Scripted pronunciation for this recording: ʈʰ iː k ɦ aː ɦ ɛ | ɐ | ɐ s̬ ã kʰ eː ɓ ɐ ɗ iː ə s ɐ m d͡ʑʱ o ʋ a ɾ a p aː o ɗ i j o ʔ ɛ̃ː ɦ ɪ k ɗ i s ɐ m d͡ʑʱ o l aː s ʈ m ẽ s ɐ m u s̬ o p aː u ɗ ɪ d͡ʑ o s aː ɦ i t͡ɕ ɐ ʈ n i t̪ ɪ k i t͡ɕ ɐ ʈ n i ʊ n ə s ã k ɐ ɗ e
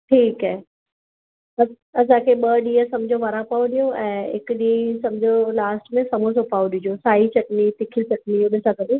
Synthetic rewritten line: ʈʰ iː k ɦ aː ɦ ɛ | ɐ | ɐ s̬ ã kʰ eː ɓ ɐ ɗ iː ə s ɐ m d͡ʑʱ o ʋ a ɾ a p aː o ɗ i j o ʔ ɛ̃ː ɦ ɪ k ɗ i s ɐ m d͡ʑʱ o l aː s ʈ m ẽ s ɐ m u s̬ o p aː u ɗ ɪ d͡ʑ o s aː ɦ i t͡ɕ ɐ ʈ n i t̪ ɪ kʰ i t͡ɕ ɐ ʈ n i ʊ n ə s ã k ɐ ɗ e